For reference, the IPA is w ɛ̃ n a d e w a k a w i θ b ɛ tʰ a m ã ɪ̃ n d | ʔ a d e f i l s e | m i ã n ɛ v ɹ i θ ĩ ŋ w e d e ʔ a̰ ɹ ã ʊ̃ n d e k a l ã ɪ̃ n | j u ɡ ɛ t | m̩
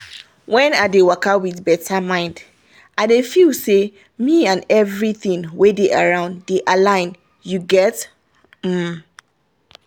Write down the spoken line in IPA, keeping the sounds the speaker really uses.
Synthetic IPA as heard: w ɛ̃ n a d e w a k a w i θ b ɛ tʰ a m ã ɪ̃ n d | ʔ a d e f i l s e | m i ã n ɛ v ɹ i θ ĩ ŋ w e d e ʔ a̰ ɹ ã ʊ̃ n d e ʔ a l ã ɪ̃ n | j u ɡ ɛ t | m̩